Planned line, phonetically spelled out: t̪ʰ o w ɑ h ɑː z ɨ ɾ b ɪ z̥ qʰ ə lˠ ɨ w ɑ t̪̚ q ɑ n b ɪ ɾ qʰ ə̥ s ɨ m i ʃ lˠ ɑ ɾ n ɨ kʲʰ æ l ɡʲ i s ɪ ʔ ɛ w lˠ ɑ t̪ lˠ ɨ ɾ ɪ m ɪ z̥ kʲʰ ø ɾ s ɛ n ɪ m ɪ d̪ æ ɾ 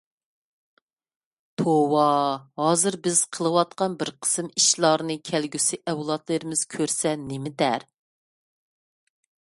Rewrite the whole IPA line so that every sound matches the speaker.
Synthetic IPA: t̪ʰ o w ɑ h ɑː z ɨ ɾ b ɪ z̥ qʰ ə lˠ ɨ w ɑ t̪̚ q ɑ n b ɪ ɾ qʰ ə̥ s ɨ m i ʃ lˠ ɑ ɾ n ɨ kʲʰ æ l ɡʲ y s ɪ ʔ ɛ w lˠ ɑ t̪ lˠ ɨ ɾ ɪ m ɪ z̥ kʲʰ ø ɾ s ɛ n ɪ m ɪ d̪ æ ɾ